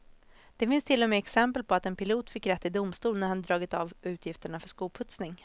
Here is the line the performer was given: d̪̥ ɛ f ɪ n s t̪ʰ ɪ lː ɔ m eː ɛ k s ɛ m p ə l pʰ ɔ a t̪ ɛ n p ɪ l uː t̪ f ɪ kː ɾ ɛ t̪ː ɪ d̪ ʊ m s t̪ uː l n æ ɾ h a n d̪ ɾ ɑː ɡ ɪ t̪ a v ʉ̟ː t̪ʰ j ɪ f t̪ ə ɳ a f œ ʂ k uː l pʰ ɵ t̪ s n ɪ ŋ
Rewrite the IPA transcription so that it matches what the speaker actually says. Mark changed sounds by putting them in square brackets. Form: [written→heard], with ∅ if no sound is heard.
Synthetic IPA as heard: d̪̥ ɛ f ɪ n s t̪ʰ ɪ lː ɔ m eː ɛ k s ɛ m p ə l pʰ ɔ a t̪ ɛ n p ɪ l uː t̪ f ɪ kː ɾ ɛ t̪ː ɪ d̪ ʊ m s t̪ uː l n æ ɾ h a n d̪ ɾ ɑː ɡ ɪ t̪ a v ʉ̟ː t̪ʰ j ɪ f t̪ ə ɳ a f œ ʂ k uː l pʰ ɵ t̪ s n ɪ ŋ